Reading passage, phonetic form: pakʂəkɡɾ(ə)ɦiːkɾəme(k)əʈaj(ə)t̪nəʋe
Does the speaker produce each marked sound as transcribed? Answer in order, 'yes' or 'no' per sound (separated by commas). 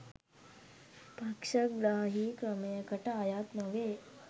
no, yes, no